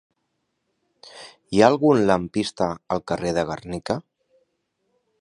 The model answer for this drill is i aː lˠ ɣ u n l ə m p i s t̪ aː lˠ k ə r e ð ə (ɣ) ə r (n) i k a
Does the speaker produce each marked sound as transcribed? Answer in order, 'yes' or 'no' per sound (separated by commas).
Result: yes, yes